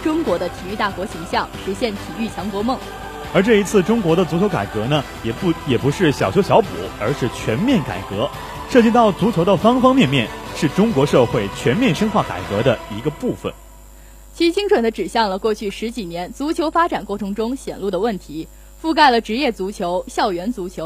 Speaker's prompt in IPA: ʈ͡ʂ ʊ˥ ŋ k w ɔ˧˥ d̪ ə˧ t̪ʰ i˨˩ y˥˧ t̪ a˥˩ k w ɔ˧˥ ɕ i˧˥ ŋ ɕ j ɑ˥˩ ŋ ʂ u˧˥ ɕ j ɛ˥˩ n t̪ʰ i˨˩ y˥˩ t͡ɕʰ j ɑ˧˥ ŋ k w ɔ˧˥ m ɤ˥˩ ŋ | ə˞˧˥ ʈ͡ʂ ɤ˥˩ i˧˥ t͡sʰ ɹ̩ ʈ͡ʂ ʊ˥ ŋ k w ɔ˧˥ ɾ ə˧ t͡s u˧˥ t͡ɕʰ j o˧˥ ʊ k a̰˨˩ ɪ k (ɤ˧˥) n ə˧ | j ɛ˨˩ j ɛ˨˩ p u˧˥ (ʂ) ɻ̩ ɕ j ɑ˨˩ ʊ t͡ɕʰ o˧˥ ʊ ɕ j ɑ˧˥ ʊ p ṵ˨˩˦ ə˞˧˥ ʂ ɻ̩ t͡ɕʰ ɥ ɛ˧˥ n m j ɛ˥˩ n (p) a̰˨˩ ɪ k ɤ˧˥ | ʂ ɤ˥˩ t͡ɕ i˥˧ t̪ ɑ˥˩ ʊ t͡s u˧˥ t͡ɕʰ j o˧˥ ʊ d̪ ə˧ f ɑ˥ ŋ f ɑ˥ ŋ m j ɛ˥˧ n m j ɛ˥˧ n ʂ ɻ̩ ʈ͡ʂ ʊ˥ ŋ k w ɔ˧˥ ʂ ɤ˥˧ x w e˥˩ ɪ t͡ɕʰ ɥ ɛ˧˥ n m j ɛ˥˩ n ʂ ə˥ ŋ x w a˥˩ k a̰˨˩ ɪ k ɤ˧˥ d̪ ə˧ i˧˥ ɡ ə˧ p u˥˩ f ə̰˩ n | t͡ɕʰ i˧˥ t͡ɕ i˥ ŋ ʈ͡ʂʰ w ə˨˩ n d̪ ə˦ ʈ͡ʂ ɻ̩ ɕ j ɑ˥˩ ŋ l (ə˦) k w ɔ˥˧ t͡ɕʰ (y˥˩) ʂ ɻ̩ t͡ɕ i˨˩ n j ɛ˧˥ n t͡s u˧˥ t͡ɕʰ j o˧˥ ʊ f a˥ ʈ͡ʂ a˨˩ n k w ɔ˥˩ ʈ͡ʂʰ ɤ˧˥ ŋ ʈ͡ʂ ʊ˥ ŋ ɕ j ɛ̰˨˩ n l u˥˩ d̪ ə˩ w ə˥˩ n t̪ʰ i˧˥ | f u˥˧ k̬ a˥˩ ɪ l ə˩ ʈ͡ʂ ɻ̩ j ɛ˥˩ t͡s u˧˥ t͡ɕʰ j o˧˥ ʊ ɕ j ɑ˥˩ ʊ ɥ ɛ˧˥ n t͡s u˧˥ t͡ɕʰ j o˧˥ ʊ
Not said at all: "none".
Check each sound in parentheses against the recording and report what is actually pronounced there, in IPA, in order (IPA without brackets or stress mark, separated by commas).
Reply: ɤ˧˥, ʂ, k, ə˩, y˥˩